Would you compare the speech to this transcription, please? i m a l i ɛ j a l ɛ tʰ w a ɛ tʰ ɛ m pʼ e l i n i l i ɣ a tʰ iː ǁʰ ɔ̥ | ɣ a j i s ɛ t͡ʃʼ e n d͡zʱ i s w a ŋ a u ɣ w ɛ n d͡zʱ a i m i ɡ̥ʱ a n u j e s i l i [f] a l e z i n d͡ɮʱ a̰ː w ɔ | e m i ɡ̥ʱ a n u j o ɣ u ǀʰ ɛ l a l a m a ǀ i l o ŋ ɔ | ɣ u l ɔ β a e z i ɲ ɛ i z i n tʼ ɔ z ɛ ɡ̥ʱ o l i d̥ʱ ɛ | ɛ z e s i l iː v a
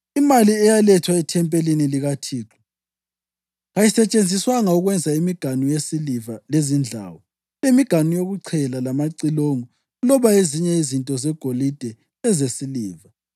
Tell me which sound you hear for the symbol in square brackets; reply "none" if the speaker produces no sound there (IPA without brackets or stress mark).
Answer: v